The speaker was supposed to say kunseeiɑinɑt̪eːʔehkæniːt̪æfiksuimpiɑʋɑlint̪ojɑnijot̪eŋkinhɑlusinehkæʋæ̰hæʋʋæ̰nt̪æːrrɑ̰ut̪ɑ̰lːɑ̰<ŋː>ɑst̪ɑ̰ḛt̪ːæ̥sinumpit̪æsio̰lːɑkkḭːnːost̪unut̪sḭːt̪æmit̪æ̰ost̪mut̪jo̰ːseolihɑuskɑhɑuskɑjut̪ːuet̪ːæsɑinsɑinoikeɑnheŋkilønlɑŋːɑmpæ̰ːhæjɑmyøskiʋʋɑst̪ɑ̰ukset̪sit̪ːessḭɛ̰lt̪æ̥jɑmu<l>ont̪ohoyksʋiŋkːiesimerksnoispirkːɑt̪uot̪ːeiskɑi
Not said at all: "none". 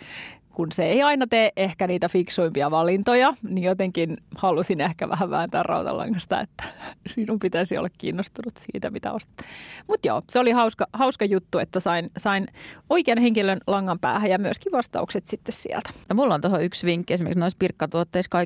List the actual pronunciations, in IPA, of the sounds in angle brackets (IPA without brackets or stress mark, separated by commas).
ŋː, lː